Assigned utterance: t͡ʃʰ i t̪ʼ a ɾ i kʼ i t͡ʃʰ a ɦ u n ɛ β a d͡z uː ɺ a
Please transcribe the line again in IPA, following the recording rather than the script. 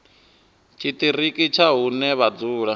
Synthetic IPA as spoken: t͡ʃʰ i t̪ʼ i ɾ i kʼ i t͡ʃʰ a ɦ u n ɛ β a d͡z uː ɺ a